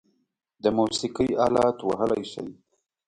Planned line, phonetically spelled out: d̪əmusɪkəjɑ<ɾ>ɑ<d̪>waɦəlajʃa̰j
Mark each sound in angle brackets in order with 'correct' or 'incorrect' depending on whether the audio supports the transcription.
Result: incorrect: l, incorrect: t̪

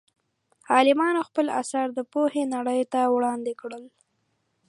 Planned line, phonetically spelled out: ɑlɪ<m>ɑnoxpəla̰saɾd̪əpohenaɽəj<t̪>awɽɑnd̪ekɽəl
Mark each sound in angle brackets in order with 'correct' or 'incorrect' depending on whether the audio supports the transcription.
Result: correct, correct

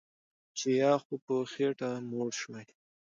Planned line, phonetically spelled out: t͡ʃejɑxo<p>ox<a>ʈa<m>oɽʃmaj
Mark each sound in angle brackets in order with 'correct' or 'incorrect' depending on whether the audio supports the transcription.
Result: correct, incorrect: e, correct

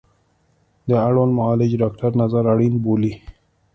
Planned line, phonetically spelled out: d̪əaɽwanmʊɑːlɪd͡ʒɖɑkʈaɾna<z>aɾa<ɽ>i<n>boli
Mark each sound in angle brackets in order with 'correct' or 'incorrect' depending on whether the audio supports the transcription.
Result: correct, correct, correct

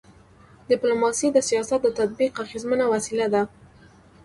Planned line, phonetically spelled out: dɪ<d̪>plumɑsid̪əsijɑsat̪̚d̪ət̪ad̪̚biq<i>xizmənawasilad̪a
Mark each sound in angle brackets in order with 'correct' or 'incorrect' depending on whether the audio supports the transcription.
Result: incorrect: none, incorrect: a

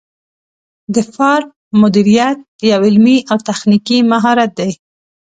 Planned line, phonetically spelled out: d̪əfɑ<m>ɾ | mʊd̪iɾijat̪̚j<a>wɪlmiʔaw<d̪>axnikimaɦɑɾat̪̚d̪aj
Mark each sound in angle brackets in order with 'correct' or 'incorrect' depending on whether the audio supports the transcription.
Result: incorrect: none, correct, incorrect: t̪

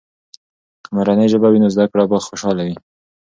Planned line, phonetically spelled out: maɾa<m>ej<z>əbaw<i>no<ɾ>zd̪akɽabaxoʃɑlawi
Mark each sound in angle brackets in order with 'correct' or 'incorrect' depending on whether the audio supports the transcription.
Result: incorrect: n, incorrect: ʒ, correct, incorrect: none

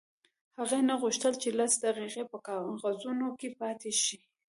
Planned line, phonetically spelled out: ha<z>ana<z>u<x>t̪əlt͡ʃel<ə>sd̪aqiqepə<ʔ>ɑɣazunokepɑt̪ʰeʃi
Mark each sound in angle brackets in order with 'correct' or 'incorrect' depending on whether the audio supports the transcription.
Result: incorrect: ɣ, incorrect: ɣ, incorrect: ʃ, incorrect: a, incorrect: k

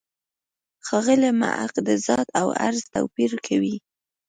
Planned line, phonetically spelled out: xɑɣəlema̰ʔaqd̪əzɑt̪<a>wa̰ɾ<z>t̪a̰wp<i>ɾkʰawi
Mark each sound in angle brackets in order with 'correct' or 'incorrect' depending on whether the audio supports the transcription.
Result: correct, correct, correct

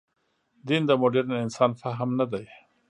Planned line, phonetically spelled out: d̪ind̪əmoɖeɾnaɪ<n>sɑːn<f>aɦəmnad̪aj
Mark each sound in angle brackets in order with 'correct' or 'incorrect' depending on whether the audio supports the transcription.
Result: correct, correct

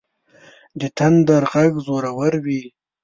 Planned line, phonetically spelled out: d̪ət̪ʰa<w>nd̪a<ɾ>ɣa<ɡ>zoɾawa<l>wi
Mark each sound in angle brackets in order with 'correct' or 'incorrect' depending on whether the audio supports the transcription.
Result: incorrect: none, correct, correct, incorrect: ɾ

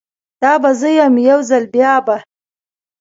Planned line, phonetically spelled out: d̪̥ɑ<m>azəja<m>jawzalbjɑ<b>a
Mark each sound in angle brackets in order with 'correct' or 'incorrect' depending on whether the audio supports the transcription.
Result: incorrect: b, correct, correct

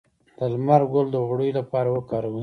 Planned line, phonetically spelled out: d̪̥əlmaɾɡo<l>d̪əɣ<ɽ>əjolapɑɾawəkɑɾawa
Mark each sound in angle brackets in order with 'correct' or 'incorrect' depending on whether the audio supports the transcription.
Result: correct, correct

